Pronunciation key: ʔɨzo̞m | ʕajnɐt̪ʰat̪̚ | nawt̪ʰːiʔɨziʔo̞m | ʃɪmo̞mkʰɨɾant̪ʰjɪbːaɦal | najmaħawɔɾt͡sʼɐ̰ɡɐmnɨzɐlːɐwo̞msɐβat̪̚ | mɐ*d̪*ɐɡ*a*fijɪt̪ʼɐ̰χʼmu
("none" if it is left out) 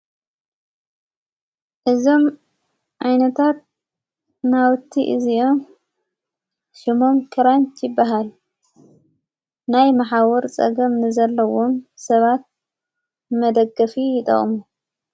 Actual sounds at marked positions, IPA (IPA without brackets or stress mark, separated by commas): d̪, ɐ